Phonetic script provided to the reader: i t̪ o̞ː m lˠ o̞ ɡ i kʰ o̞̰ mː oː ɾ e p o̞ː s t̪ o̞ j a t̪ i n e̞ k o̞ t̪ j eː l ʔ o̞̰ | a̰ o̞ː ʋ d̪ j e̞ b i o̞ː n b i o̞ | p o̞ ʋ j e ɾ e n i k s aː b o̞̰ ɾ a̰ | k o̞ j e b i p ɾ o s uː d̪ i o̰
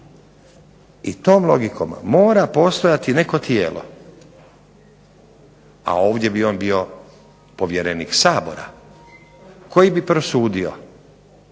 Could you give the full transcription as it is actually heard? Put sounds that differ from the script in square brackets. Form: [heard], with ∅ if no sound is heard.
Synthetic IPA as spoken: i t̪ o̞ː m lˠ o̞ ɡ i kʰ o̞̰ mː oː ɾ [a] p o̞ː s t̪ o̞ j a t̪ i n e̞ k o̞ t̪ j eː l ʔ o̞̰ | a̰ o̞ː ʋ d̪ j e̞ b i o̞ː n b i o̞ | p o̞ ʋ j e ɾ e n i k s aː b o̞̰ ɾ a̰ | k o̞ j [i] b i p ɾ o s uː d̪ i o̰